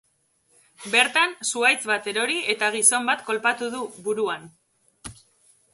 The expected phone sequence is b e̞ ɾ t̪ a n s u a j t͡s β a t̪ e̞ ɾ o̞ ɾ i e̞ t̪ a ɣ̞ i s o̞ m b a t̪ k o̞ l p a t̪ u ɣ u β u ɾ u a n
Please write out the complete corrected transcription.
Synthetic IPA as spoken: b e̞ ɾ t̪ a n s u a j t͡s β a t̪ e̞ ɾ o̞ ɾ i e̞ t̪ a ɣ̞ i s o̞ m b a t̪ k o̞ l p a t̪ u ð u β u ɾ u a n